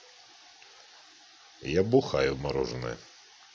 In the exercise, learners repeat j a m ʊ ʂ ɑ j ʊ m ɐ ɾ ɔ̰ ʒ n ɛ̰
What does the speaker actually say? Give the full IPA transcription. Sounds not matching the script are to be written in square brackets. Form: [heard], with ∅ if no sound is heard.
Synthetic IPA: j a [b] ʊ [x] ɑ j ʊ m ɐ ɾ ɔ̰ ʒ n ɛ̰